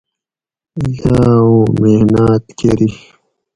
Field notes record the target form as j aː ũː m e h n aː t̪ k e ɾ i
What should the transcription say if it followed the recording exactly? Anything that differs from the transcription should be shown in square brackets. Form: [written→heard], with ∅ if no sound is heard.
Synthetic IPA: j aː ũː m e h n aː t̪ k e ɾ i